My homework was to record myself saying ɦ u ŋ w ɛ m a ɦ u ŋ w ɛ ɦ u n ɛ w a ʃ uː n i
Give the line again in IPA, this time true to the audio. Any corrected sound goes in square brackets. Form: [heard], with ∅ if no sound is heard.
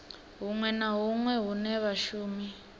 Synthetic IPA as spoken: ɦ u ŋ w ɛ [n] a ɦ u ŋ w ɛ ɦ u n ɛ [β] a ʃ uː [m] i